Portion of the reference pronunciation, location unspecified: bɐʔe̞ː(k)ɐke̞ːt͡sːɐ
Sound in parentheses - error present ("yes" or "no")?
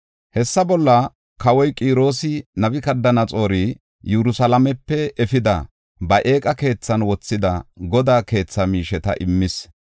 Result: yes